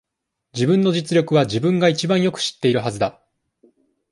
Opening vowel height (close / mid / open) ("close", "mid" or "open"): close